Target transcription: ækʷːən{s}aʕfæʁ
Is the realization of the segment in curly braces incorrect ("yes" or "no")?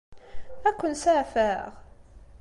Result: no